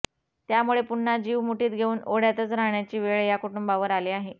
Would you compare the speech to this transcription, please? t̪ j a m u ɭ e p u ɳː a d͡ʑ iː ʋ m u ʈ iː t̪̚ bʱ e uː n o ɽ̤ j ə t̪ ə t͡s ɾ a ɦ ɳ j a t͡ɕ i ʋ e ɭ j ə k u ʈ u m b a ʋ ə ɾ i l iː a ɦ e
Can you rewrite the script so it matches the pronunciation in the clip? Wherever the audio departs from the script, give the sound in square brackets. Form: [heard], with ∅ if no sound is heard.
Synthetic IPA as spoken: t̪ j a m u ɭ e p u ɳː a d͡ʑ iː ʋ m u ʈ iː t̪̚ [ɡʱ] e uː n o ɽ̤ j [a] t̪ ə t͡s ɾ a ɦ ɳ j a t͡ɕ [iː] ʋ e ɭ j [a] k u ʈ u m b a ʋ ə ɾ [a] l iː a ɦ e